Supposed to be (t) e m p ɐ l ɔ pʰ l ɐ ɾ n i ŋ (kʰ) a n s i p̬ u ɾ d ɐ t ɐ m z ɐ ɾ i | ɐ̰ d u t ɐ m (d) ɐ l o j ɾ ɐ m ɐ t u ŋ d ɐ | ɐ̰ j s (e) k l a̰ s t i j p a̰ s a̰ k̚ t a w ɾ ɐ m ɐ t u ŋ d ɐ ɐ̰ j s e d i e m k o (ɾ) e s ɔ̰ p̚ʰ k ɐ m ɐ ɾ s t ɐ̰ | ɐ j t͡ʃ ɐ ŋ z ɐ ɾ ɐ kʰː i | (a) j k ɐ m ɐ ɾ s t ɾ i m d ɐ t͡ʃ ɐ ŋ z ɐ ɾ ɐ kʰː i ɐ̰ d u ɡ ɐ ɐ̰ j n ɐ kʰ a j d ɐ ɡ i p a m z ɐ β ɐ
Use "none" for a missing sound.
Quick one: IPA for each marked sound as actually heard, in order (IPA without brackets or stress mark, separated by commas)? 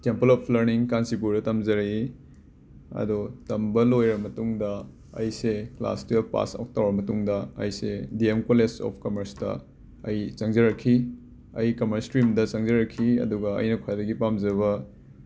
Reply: t, k, b, e, l, ɐ